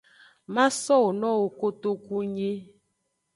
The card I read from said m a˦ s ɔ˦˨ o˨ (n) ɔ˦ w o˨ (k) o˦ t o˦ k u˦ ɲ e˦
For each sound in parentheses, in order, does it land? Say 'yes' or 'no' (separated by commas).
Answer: yes, yes